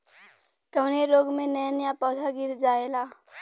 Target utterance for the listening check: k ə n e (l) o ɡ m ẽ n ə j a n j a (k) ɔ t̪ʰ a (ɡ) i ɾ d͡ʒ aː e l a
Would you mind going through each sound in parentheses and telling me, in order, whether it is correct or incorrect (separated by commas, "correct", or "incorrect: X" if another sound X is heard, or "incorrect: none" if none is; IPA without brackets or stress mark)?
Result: incorrect: ɾ, incorrect: p, correct